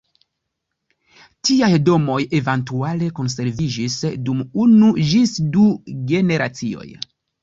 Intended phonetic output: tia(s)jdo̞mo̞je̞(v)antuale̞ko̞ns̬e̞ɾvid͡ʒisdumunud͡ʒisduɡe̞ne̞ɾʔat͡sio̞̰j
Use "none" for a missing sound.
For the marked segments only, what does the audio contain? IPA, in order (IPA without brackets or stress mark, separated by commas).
none, v